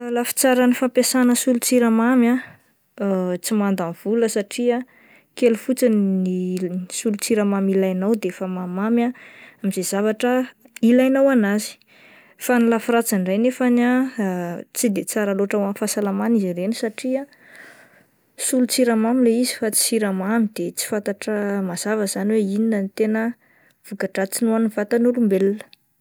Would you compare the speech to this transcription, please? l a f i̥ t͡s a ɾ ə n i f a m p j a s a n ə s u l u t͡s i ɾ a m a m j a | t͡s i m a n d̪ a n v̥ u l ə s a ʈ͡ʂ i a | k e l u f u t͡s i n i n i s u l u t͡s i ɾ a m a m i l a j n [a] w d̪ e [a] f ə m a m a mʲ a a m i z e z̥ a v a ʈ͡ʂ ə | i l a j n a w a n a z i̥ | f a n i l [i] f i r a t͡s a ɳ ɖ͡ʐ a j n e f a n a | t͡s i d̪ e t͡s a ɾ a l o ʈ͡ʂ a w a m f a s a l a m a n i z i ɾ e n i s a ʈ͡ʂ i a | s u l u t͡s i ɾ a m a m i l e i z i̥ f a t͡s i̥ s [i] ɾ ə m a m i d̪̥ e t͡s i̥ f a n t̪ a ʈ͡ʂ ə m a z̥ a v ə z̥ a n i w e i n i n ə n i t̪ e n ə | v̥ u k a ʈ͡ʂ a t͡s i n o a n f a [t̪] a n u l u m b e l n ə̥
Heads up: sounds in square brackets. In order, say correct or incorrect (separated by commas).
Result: correct, incorrect, incorrect, correct, correct